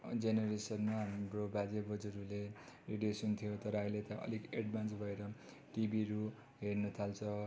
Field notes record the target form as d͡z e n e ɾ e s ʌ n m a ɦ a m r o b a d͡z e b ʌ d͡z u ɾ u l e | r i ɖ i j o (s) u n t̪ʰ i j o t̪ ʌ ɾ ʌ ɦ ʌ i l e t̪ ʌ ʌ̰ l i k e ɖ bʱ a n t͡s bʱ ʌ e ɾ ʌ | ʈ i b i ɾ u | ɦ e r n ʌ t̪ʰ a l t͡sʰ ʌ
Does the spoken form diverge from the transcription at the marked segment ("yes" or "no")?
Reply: no